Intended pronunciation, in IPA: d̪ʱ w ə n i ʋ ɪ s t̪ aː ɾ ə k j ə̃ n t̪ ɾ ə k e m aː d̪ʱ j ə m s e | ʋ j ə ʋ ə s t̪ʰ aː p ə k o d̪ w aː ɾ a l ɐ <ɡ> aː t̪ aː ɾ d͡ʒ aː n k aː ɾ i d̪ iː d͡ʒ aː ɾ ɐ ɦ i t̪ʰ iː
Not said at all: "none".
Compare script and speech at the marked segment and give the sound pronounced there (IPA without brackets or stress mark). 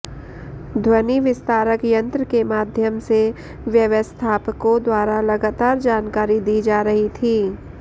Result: ɡ